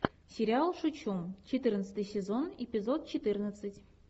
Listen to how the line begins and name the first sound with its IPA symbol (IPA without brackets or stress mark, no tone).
sʲ